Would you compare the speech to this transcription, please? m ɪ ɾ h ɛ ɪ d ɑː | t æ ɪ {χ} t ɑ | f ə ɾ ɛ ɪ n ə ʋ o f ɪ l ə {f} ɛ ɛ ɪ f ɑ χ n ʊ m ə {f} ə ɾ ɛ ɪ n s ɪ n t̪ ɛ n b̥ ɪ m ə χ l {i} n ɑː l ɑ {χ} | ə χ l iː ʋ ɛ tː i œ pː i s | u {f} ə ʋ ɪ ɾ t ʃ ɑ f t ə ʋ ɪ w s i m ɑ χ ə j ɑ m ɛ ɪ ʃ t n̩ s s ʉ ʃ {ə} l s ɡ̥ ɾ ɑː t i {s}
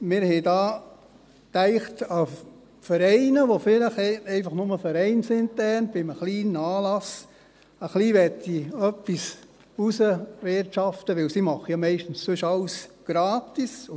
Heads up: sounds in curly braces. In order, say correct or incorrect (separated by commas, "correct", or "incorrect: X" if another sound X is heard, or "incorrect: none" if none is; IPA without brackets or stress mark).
correct, incorrect: χ, correct, incorrect: iː, incorrect: s, incorrect: s, incorrect: ɑ, correct